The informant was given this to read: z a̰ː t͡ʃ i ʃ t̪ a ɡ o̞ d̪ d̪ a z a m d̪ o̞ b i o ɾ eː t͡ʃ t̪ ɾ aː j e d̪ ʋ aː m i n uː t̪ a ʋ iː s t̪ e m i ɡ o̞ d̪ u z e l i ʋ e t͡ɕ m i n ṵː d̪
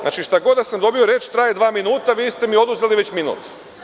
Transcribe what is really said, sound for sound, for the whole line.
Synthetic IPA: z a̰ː t͡ʃ i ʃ t̪ a ɡ o̞ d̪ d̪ a s a m d̪ o̞ b i o ɾ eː t͡ʃ t̪ ɾ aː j e d̪ ʋ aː m i n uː t̪ a ʋ iː s t̪ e m i o̞ d̪ u z e l i ʋ e t͡ɕ m i n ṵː t̪